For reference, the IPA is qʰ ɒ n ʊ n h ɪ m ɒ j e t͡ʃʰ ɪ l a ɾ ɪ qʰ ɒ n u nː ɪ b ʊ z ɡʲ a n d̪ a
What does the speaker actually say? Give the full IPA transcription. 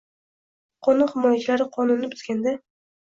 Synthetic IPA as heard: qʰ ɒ n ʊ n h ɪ m ɒ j a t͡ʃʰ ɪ l a ɾ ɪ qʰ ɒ n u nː ɪ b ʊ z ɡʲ a n d̪ a